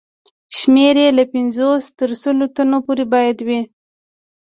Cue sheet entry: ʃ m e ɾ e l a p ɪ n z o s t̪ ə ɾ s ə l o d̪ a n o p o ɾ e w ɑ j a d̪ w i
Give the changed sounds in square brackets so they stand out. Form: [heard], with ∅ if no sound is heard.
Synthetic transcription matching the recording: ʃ m e ɾ e l a p ɪ n z o s t̪ ə ɾ s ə l o [t̪] a n o p o ɾ e [b] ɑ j a d̪ w i